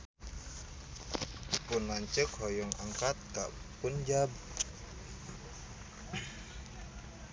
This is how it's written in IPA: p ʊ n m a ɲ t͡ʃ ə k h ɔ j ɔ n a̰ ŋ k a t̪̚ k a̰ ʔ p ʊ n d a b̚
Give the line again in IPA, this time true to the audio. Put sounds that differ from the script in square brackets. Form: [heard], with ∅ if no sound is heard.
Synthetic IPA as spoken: p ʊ n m a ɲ t͡ʃ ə k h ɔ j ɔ [ŋ] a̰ ŋ k a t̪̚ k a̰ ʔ p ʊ n [d͡ʒ] a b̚